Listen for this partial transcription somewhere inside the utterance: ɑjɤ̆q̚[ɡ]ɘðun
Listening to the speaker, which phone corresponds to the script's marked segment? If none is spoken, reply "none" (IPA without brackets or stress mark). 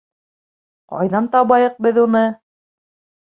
b